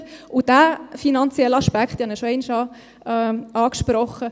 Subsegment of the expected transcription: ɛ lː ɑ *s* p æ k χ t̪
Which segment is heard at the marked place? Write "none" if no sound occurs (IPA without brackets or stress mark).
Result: ʃ